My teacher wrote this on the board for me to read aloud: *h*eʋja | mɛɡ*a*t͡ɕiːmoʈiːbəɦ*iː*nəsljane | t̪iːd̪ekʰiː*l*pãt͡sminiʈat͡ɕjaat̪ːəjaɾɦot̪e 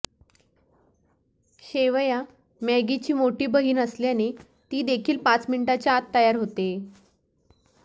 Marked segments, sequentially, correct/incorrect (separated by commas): incorrect, incorrect, correct, correct